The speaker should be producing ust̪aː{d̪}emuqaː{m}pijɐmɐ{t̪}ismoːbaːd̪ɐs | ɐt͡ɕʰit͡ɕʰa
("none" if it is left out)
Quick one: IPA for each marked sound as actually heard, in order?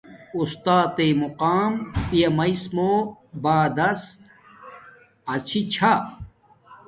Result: t̪, m, none

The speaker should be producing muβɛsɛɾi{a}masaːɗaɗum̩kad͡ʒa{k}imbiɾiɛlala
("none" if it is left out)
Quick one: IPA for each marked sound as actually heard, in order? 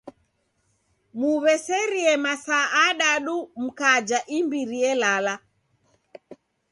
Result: ɛ, ʔ

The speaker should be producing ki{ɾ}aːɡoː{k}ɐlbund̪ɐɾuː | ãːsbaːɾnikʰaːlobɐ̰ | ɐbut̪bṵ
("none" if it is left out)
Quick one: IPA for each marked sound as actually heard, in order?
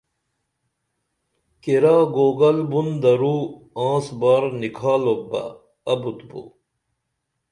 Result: ɾ, ɡ

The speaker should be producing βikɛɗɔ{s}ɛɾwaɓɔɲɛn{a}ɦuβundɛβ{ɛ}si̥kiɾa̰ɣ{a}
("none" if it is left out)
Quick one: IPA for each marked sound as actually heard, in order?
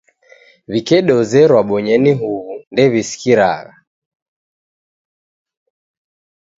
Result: z, i, i, a

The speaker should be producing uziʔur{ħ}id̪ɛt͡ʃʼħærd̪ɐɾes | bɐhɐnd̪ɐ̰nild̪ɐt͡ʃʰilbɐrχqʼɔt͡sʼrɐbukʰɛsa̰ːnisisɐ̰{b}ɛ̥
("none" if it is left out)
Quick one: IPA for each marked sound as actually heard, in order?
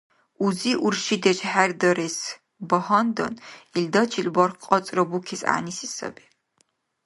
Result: ʃ, b

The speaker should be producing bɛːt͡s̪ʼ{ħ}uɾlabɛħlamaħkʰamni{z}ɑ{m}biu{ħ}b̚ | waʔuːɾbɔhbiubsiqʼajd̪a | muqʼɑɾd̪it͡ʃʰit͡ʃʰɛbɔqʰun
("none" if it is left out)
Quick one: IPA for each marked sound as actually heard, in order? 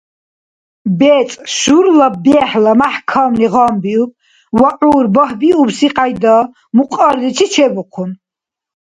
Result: ʃ, ʁ, m, none

